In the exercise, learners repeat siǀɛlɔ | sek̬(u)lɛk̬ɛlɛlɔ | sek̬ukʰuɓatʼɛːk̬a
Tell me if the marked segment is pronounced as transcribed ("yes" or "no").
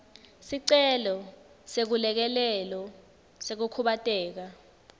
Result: yes